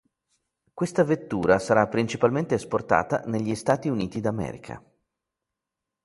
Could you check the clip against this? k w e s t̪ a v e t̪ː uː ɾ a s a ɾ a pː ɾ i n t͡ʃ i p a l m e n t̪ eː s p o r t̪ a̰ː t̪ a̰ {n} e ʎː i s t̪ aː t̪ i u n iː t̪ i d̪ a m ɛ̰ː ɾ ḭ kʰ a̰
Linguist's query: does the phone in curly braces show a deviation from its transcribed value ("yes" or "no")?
no